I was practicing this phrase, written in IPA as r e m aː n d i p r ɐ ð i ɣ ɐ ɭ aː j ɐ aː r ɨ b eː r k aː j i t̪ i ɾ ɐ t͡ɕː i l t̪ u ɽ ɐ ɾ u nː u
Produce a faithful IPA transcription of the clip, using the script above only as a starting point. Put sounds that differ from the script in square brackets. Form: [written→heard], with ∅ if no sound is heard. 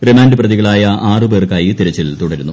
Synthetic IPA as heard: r e m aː n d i p r ɐ ð i ɣ ɐ ɭ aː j ɐ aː r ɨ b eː r k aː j i t̪ i ɾ ɐ t͡ɕː i l t̪ u ɽ ɐ ɾ u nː u